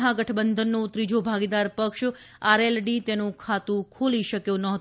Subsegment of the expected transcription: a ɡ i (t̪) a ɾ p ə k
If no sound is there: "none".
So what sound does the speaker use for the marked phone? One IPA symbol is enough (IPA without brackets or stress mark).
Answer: d̪